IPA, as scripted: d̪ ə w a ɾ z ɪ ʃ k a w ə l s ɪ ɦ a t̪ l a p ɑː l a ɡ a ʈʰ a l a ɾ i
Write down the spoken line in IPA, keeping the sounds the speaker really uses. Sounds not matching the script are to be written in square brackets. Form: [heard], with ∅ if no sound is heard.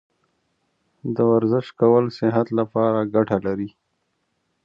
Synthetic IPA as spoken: d̪ ə w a ɾ z ɪ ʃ k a w ə l s ɪ ɦ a t̪ l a p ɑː [ɾ] a ɡ a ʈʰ a l a ɾ i